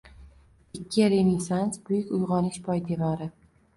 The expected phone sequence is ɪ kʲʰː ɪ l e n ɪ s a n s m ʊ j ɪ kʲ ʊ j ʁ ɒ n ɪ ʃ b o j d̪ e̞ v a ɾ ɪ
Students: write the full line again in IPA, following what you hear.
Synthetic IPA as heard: ɪ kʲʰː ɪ ɾ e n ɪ s a n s b ʊ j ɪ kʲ ʊ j ʁ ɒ n ɪ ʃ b ɒ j d̪ e̞ v a ɾ ɪ